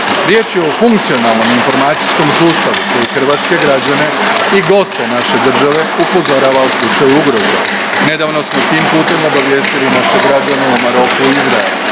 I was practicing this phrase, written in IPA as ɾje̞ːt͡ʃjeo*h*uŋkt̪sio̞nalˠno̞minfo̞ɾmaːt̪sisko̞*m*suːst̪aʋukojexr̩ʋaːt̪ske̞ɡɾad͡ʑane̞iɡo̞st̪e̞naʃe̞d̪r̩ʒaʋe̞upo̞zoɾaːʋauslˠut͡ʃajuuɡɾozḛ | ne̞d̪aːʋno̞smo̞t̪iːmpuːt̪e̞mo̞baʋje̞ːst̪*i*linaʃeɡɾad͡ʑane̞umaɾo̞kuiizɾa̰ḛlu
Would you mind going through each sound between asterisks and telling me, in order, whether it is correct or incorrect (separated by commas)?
incorrect, correct, correct